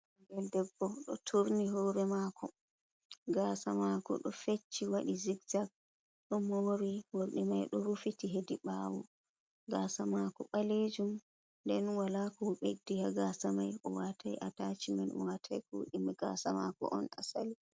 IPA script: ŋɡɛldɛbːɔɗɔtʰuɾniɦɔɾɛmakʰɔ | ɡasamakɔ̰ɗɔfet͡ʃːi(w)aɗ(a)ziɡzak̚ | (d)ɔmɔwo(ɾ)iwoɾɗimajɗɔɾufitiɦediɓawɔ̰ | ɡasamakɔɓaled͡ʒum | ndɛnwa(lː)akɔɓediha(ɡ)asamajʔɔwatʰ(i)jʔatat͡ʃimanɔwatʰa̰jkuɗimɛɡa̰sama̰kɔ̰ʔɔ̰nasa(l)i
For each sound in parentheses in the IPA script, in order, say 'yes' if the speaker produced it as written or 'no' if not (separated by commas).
yes, no, no, yes, no, yes, no, yes